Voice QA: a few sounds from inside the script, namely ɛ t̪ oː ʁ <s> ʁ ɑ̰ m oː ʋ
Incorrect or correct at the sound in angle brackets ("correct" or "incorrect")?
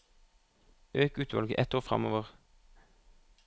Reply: incorrect